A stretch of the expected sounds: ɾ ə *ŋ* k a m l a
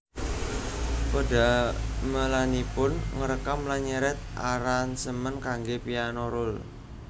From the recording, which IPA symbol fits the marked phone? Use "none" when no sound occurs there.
none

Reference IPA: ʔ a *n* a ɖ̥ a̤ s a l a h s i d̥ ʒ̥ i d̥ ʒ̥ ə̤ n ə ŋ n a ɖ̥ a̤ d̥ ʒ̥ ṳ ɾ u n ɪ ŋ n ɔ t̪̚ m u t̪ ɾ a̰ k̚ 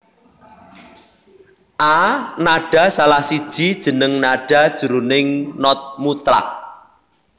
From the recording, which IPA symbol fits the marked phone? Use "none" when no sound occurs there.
n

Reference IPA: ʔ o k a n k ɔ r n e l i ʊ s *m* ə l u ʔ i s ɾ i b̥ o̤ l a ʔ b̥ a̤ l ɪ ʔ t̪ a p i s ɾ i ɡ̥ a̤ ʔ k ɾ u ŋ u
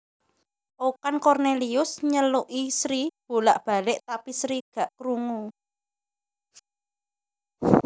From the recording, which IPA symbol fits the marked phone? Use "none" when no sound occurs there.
ɲ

